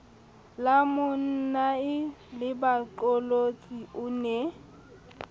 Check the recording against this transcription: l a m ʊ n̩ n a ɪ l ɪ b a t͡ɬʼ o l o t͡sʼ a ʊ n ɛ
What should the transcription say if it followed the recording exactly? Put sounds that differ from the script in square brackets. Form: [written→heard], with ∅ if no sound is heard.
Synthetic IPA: l a m ʊ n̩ n a ɪ l ɪ b a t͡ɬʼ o l o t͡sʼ [a→i] ʊ n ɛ